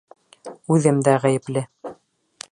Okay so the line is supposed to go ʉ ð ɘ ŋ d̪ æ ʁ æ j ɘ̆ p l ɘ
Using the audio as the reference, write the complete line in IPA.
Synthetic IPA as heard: ʉ ð ɘ m d̪ æ ʁ æ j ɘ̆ p l ɘ